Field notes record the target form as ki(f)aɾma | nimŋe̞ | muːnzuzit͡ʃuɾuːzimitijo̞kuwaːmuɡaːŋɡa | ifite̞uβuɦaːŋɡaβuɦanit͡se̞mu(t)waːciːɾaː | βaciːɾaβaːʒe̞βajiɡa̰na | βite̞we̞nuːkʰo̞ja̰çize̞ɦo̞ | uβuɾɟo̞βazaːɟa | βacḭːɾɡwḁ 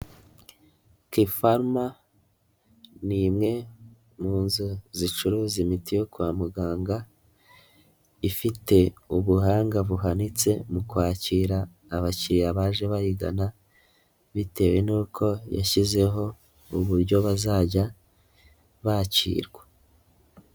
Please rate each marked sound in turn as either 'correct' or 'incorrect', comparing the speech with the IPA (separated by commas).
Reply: correct, incorrect